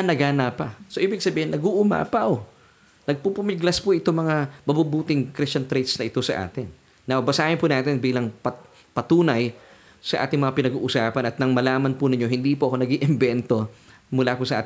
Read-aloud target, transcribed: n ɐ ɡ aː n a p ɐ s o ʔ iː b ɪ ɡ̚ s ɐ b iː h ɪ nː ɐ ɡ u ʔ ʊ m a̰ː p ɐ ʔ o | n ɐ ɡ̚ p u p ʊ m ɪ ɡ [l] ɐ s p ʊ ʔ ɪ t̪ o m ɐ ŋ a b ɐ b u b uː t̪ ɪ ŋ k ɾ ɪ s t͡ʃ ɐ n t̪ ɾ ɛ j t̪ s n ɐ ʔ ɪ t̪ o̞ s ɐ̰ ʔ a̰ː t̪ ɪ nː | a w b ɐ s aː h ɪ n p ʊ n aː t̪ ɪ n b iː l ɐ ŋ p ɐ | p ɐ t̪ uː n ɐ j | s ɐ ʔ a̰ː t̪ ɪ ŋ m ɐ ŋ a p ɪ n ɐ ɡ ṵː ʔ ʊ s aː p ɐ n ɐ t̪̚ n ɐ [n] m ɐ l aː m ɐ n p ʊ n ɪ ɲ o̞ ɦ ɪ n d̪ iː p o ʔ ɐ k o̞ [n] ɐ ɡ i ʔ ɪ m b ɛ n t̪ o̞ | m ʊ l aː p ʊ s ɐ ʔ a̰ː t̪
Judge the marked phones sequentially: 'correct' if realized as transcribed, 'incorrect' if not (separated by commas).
correct, incorrect, correct